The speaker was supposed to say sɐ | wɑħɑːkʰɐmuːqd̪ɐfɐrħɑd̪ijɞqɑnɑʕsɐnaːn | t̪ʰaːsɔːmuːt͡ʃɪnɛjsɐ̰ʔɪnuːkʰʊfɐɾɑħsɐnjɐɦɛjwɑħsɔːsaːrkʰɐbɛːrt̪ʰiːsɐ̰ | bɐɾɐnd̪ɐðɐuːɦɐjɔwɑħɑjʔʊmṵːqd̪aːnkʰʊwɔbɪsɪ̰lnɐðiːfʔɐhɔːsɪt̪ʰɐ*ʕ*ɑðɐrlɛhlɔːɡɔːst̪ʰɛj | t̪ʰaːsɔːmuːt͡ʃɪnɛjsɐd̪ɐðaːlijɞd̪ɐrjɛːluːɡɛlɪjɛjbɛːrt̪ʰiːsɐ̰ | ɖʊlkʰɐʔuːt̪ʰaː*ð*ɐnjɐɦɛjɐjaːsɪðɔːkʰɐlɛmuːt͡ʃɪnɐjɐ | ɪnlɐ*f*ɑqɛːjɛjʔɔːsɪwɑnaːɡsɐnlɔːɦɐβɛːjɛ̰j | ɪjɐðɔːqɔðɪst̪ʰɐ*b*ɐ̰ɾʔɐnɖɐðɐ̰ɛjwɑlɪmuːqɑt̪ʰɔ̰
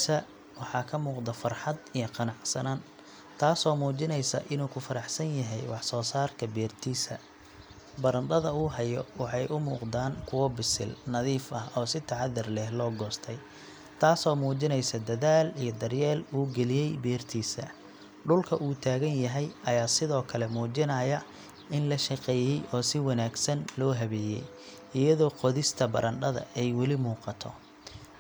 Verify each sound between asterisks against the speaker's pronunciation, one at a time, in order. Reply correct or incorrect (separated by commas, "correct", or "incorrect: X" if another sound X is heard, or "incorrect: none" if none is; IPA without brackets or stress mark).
correct, incorrect: ɣ, incorrect: ʃ, correct